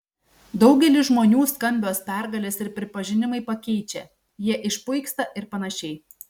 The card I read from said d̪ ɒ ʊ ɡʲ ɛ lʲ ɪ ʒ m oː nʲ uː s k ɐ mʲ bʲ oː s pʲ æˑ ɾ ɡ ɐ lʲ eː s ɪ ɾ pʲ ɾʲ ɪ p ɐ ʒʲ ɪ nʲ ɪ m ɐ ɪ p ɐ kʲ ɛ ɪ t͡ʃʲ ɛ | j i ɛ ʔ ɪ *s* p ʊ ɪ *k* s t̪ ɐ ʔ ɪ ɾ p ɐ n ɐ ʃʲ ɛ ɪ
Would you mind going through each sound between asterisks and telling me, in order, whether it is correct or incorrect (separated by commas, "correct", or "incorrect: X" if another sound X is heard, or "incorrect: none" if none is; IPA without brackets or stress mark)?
incorrect: ʃ, correct